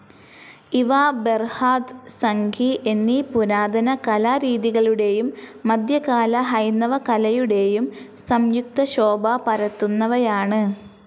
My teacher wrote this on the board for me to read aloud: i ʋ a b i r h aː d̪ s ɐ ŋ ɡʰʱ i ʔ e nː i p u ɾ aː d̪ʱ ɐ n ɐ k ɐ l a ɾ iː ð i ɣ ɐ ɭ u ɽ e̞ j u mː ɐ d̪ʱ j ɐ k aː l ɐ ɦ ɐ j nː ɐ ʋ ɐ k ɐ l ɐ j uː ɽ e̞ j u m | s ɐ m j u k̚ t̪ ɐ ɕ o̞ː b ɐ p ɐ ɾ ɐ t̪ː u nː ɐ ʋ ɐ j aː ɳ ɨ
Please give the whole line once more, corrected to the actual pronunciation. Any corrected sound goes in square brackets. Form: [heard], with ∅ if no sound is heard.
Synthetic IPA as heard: i ʋ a b [e] r h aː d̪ s ɐ ŋ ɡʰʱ i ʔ e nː i p u ɾ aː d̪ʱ ɐ n ɐ k ɐ l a ɾ iː ð i ɣ ɐ ɭ u ɽ e̞ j u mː ɐ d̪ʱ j ɐ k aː l ɐ ɦ ɐ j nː ɐ ʋ ɐ k ɐ l ɐ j [u] ɽ e̞ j u m | s ɐ m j u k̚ t̪ ɐ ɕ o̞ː b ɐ p ɐ ɾ ɐ t̪ː u nː ɐ ʋ ɐ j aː ɳ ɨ

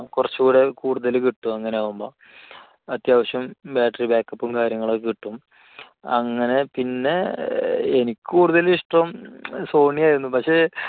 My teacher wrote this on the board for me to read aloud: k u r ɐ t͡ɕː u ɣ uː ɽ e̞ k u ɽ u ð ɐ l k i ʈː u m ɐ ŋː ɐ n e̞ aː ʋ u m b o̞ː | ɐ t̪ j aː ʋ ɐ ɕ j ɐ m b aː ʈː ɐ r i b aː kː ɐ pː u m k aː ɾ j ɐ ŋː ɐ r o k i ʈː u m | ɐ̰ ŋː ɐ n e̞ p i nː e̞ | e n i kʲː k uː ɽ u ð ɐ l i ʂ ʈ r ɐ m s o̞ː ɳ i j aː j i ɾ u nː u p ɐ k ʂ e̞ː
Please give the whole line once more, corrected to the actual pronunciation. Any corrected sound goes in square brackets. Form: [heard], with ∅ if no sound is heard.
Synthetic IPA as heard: k u r ɐ t͡ɕː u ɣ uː ɽ e̞ k [uː] ɽ u ð ɐ l k i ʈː u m ɐ ŋː ɐ n e̞ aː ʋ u m b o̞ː | ɐ t̪ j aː ʋ ɐ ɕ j ɐ m b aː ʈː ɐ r i b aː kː ɐ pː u m k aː ɾ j ɐ ŋː ɐ [ɭ] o k i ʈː u m | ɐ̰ ŋː ɐ n e̞ p i nː e̞ | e n i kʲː k uː ɽ u ð ɐ l i ʂ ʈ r ɐ m s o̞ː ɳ i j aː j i ɾ u nː u p ɐ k ʂ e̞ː

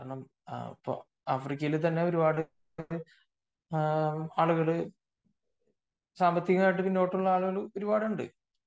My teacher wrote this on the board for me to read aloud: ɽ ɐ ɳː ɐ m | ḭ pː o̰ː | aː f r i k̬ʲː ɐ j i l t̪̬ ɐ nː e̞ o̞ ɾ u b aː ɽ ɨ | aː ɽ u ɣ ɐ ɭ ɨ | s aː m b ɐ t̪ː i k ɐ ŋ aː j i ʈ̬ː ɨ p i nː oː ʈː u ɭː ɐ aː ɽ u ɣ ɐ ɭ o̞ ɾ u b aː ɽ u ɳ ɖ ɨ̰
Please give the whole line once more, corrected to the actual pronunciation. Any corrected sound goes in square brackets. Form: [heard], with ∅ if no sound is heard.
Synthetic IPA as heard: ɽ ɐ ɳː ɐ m | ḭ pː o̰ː | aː f r i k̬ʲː ɐ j i l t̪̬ ɐ nː e̞ o̞ ɾ u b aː ɽ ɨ | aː [ɭ] u ɣ ɐ ɭ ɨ | s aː m b ɐ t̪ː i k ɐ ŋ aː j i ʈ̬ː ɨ p i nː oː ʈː u ɭː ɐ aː [ɭ] u ɣ ɐ ɭ o̞ ɾ u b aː ɽ u ɳ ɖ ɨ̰

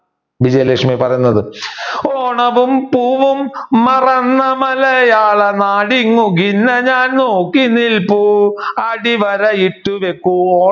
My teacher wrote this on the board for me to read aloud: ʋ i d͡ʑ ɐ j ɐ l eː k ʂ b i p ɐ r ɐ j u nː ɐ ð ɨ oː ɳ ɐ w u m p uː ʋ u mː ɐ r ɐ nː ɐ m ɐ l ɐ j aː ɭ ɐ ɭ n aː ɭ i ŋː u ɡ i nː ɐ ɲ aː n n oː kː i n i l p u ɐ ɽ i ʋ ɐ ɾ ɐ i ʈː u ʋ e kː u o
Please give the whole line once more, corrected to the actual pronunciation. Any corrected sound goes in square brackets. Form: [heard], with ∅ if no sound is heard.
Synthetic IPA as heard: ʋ i d͡ʑ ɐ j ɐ l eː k ʂ [m] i p ɐ r ɐ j u nː ɐ ð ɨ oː ɳ ɐ [ʋ] u m p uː ʋ u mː ɐ r ɐ nː ɐ m ɐ l ɐ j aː ɭ ɐ [∅] n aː [ɽ] i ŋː u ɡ i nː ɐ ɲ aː n n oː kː i n i l p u ɐ ɽ i ʋ ɐ ɾ ɐ i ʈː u ʋ e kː u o

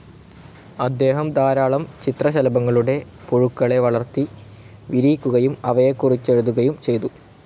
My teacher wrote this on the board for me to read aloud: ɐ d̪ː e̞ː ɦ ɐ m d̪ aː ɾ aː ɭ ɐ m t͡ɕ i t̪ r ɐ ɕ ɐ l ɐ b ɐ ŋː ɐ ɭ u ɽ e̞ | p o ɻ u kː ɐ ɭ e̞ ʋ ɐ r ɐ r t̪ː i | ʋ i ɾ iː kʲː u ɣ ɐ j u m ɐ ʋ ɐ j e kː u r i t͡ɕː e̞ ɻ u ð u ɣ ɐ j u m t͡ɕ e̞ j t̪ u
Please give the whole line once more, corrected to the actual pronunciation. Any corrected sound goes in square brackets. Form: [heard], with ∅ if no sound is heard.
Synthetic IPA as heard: ɐ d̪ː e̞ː ɦ ɐ m d̪ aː ɾ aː ɭ ɐ m t͡ɕ i t̪ r ɐ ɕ ɐ l ɐ b ɐ ŋː ɐ ɭ u ɽ e̞ | p o ɻ u kː ɐ ɭ e̞ ʋ ɐ [ɭ] ɐ r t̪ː i | ʋ i ɾ iː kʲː u ɣ ɐ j u m ɐ ʋ ɐ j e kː u r i t͡ɕː e̞ ɻ u ð u ɣ ɐ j u m t͡ɕ e̞ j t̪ u

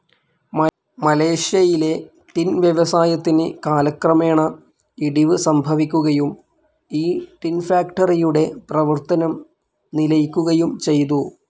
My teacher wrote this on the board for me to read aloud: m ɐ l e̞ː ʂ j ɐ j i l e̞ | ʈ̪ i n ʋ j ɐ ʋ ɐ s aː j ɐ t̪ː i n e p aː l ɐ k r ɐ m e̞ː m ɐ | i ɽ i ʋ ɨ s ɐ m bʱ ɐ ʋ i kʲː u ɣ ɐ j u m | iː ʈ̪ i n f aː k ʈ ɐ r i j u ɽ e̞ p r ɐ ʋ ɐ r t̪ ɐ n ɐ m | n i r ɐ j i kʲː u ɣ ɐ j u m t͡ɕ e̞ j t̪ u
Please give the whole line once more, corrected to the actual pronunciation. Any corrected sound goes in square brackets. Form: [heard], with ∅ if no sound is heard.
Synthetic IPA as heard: m ɐ l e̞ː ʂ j ɐ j i l e̞ | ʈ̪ i n ʋ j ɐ ʋ ɐ s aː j ɐ t̪ː i n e [k] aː l ɐ k r ɐ m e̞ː [ɳ] ɐ | i ɽ i ʋ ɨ s ɐ m bʱ ɐ ʋ i kʲː u ɣ ɐ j u m | iː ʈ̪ i n f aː k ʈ ɐ r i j u ɽ e̞ p r ɐ ʋ ɐ r t̪ ɐ n ɐ m | n i [l] ɐ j i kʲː u ɣ ɐ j u m t͡ɕ e̞ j t̪ u

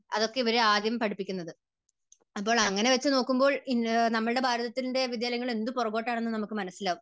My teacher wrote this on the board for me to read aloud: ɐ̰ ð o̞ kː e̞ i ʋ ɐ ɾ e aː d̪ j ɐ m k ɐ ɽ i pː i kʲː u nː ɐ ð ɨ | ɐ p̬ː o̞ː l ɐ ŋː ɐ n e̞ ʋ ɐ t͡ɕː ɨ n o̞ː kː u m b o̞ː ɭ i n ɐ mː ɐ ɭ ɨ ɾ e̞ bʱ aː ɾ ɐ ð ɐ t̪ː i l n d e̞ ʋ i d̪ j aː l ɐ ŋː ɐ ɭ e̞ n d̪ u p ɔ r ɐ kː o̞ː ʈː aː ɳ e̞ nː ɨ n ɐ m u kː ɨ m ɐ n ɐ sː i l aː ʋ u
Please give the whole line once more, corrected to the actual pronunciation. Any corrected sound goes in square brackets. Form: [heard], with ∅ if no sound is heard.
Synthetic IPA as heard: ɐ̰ ð o̞ kː e̞ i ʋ ɐ ɾ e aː d̪ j ɐ m [p] ɐ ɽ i pː i kʲː u nː ɐ ð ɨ | ɐ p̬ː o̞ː [ɭ] ɐ ŋː ɐ n e̞ ʋ ɐ t͡ɕː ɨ n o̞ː kː u m b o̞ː ɭ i n ɐ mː ɐ ɭ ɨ [ɽ] e̞ bʱ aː ɾ ɐ ð ɐ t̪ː i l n d e̞ ʋ i d̪ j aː l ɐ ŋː ɐ ɭ e̞ n d̪ u p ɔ r ɐ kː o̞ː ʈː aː ɳ e̞ nː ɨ n ɐ m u kː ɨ m ɐ n ɐ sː i l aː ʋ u

